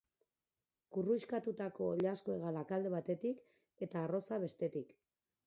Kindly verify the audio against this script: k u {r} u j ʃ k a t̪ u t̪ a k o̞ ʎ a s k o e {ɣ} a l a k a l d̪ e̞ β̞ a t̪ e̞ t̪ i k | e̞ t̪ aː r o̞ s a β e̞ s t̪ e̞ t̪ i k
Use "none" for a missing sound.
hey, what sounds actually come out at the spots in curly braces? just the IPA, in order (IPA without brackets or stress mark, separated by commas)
r, ɣ